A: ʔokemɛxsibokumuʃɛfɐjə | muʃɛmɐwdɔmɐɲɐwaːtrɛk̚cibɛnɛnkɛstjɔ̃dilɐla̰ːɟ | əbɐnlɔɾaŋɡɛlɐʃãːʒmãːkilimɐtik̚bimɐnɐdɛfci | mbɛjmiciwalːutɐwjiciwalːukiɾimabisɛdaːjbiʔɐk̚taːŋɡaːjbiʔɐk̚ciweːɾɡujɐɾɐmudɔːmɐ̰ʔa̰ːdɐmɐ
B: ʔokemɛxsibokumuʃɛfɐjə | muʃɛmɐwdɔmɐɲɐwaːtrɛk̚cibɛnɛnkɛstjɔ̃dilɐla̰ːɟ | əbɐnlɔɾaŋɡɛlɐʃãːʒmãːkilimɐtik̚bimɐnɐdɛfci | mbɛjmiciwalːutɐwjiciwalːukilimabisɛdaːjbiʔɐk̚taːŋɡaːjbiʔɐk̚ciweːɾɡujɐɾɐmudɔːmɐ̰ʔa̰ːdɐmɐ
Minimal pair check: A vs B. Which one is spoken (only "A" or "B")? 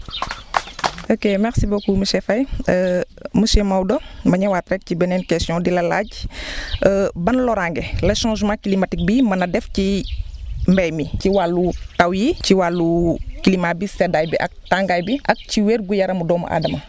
B